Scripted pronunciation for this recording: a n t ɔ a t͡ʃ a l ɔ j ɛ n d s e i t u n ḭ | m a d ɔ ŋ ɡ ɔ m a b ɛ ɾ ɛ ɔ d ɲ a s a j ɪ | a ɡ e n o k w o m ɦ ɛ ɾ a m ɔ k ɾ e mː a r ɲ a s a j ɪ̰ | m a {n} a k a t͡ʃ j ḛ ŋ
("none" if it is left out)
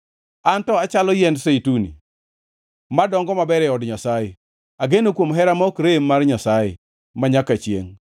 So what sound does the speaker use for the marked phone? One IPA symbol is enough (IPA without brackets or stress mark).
ɲ